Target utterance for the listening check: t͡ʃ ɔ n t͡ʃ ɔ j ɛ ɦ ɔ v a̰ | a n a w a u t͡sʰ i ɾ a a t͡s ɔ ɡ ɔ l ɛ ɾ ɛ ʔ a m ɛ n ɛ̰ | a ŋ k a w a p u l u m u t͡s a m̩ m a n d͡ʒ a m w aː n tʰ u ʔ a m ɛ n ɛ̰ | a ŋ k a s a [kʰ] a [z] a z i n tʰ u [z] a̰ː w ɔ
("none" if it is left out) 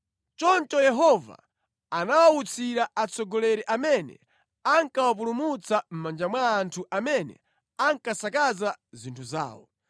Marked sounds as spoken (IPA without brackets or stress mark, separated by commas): k, z, z